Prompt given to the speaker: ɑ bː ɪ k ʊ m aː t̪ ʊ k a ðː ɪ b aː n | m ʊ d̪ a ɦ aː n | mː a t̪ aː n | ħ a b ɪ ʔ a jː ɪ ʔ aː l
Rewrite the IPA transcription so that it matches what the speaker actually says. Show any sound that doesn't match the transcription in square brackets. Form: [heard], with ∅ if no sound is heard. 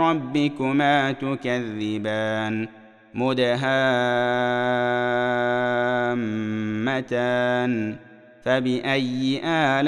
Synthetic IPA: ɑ bː ɪ k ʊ m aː t̪ ʊ k a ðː ɪ b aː n | m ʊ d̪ a ɦ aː [∅] | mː a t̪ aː n | [f] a b ɪ ʔ a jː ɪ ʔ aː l